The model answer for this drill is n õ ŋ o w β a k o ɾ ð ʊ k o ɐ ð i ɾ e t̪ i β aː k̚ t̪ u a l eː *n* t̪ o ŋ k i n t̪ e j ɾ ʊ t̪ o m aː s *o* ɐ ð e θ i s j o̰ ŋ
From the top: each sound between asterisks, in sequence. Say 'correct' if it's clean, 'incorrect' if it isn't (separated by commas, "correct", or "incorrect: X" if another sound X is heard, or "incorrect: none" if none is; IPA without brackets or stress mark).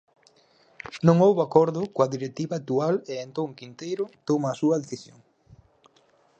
correct, incorrect: u